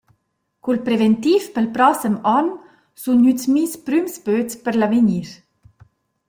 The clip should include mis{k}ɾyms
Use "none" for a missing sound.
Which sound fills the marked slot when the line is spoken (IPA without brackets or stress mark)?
p